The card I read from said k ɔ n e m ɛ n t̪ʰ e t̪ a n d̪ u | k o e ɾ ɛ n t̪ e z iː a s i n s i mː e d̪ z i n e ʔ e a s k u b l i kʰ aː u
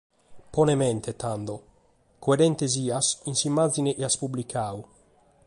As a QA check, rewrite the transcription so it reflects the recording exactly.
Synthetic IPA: p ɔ n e m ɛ n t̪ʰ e t̪ a n d̪ o | k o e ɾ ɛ n t̪ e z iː a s i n s i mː a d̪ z i n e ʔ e a s p u b l i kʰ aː u